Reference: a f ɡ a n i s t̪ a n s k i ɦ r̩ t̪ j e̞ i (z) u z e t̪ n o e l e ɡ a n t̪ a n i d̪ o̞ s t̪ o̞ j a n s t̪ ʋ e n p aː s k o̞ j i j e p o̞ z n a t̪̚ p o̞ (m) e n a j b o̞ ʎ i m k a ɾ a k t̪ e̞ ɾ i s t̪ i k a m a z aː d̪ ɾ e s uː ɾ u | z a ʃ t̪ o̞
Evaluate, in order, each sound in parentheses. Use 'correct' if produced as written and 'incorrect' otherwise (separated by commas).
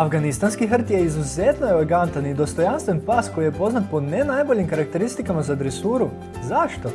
correct, incorrect